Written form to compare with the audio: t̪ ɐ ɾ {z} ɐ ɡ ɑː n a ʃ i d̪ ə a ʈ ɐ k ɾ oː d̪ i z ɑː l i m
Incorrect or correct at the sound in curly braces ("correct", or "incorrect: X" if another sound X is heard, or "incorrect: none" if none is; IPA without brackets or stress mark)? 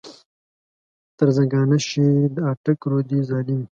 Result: correct